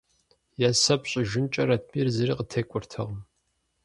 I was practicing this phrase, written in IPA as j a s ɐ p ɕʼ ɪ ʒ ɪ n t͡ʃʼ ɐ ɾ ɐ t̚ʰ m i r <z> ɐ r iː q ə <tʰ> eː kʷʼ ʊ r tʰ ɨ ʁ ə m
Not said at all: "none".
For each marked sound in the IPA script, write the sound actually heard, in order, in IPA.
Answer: z, tʰ

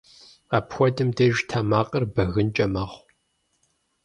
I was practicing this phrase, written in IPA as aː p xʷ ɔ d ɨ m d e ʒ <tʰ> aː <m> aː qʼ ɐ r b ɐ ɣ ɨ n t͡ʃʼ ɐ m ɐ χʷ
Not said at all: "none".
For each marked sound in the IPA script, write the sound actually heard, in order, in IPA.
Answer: tʰ, m

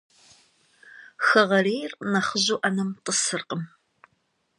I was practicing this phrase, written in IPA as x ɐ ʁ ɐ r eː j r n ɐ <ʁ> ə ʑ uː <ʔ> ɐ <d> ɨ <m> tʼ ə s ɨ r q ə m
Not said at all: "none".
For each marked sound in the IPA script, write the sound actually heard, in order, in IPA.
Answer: χ, ʔ, n, m

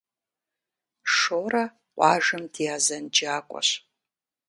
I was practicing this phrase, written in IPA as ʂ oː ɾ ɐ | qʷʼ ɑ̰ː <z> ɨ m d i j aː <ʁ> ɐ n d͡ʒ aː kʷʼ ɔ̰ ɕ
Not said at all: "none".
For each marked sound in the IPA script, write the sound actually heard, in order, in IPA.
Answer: ʒ, z

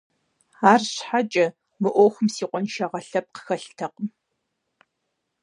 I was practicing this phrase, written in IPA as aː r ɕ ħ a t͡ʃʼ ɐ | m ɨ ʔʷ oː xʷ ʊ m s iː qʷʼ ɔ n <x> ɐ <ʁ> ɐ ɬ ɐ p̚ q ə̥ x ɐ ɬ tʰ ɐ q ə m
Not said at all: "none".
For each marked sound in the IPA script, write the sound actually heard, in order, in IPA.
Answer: ʃ, ʁ

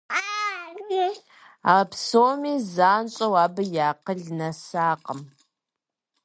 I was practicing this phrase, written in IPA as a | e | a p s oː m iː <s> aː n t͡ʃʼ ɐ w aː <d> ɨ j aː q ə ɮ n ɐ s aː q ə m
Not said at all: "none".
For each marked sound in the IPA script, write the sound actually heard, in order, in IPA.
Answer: z, b

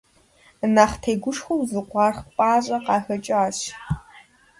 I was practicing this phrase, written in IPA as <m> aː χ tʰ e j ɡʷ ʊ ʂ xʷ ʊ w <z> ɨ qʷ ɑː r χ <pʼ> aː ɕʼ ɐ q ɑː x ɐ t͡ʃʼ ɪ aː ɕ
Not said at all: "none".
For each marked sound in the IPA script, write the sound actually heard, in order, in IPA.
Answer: n, z, pʼ

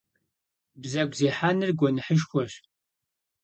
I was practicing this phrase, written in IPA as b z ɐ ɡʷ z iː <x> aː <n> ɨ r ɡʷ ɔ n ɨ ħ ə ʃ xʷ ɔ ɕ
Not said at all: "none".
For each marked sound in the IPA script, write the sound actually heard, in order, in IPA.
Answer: ħ, n

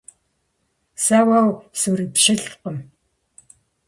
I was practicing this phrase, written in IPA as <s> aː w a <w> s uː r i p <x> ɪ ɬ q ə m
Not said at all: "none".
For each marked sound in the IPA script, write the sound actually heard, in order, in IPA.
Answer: s, w, ʃ

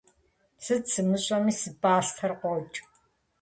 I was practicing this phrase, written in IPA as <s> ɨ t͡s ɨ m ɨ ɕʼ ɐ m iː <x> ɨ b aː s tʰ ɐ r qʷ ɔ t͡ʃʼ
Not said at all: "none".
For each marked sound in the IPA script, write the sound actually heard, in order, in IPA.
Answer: s, s

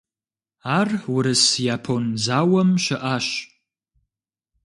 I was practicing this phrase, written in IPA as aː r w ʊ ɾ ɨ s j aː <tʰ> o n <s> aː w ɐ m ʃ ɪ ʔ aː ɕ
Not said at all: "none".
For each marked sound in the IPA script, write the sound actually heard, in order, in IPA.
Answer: pʰ, z

